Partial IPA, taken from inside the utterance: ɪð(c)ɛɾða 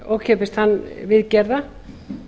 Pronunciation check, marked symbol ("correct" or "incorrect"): correct